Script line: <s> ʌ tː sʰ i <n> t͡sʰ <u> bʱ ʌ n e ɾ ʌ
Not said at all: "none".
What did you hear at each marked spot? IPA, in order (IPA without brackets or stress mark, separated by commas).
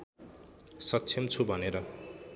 s, m, u